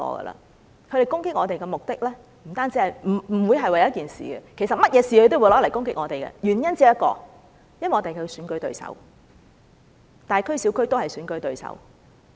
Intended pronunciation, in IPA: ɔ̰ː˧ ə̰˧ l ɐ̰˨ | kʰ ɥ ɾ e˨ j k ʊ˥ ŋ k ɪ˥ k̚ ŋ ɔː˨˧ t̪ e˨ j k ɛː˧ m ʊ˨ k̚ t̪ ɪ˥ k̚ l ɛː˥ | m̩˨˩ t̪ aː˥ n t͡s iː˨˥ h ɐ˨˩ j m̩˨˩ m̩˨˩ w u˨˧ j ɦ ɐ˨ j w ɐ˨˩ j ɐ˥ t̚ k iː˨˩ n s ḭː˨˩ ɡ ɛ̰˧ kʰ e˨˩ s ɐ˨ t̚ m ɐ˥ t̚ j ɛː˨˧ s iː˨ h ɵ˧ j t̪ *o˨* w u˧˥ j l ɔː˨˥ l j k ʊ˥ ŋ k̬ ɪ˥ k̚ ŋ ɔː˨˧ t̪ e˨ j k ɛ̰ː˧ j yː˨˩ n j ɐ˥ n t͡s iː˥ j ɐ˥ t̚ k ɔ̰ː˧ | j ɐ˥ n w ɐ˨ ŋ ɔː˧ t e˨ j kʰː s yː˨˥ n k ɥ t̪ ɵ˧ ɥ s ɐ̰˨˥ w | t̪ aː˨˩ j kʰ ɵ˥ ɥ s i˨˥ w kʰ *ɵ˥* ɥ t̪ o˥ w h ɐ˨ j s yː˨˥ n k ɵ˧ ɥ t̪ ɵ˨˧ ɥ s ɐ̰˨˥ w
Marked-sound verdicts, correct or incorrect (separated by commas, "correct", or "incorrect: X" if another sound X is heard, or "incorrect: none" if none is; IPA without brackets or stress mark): incorrect: o˥, correct